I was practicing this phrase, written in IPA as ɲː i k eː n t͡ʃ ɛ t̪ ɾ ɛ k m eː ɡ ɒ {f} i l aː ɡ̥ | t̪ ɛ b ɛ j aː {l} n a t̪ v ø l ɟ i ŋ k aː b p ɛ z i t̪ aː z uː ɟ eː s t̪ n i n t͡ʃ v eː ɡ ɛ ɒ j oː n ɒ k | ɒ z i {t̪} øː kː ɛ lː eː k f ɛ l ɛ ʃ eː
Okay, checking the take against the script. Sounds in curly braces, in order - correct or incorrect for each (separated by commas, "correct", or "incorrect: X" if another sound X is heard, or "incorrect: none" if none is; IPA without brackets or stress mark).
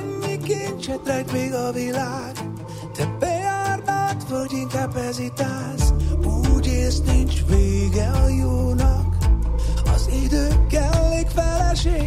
incorrect: v, incorrect: r, incorrect: d̪